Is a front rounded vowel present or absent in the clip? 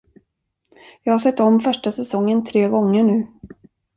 present